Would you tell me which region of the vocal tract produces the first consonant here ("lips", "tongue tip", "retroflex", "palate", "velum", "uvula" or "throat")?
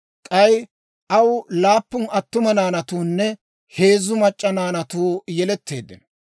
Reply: velum